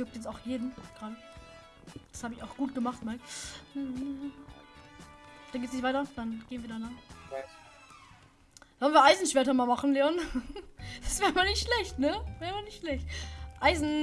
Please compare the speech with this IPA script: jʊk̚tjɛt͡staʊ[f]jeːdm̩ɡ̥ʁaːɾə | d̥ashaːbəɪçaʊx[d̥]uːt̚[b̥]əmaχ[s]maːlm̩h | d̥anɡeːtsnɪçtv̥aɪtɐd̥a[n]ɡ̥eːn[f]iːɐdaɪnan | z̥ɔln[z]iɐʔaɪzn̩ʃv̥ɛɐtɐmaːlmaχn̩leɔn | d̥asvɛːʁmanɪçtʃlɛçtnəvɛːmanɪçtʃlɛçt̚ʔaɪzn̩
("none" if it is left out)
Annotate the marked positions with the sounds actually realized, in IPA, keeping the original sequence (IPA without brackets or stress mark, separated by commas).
x, ɡ̥, ɡ̥, t, n, v, v